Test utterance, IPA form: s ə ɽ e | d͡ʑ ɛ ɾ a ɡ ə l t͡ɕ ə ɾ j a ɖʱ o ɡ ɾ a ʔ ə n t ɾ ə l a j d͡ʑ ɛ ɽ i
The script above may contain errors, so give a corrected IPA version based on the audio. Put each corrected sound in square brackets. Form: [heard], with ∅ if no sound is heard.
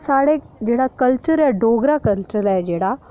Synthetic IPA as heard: s [a] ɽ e | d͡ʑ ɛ [ɽ] a [k] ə l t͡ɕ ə ɾ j a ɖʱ o ɡ ɾ a [k] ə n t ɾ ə l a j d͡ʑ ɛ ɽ [a]